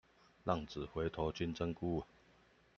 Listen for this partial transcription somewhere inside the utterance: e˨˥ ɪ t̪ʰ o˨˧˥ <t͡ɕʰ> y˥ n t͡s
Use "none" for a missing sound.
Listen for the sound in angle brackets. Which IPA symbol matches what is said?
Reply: t͡ɕ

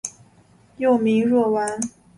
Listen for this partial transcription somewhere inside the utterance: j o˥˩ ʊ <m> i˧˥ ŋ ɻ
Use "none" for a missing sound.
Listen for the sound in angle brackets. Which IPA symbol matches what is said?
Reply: m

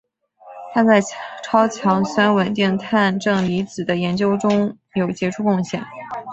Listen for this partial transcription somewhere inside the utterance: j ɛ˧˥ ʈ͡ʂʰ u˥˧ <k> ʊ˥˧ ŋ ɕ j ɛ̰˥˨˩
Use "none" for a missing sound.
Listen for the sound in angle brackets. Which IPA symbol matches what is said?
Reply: k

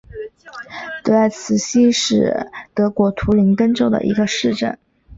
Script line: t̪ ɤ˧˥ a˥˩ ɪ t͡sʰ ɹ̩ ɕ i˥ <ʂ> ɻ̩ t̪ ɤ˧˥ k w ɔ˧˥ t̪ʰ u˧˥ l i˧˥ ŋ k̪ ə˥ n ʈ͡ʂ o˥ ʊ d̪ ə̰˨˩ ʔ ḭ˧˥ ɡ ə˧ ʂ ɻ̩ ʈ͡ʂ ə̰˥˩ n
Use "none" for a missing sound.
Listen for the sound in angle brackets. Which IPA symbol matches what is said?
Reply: ʂ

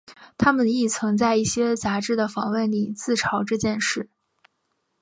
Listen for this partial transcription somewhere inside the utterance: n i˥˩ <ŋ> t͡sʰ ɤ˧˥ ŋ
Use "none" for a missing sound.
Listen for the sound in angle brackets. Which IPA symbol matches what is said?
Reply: none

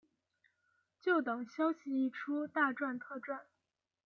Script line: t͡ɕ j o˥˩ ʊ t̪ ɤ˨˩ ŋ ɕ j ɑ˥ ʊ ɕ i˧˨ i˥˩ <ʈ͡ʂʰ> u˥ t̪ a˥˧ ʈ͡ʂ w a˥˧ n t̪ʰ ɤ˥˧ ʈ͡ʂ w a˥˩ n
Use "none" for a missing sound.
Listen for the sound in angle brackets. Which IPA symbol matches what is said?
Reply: ʈ͡ʂʰ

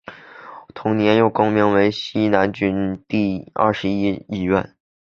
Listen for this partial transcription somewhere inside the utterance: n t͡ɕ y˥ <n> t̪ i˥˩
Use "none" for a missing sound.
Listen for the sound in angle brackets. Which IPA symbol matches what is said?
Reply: n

